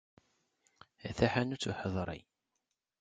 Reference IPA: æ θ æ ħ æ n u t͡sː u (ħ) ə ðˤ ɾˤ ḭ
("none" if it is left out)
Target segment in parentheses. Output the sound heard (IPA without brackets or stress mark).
ħ